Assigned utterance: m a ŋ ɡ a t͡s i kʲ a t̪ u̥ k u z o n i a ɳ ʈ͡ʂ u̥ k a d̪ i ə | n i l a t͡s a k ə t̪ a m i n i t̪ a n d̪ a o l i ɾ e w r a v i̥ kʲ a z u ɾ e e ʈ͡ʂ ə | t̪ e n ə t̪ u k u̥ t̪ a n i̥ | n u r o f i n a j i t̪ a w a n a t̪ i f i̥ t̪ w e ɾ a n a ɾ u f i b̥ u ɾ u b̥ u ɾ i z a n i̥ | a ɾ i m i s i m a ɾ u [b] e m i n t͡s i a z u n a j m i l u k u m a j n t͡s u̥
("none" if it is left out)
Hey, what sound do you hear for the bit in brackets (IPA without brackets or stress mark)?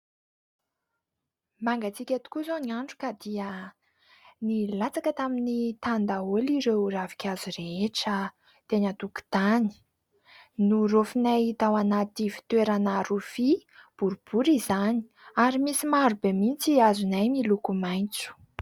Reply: b